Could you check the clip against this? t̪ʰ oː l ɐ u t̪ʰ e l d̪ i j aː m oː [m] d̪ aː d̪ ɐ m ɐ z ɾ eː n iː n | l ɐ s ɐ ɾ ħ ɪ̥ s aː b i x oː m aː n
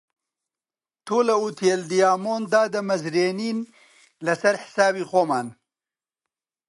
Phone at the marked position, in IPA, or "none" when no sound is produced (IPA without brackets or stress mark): n